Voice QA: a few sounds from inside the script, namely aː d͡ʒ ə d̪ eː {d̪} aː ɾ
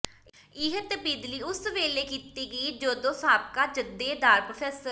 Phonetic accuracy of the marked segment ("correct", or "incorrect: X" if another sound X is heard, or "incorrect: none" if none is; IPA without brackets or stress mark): correct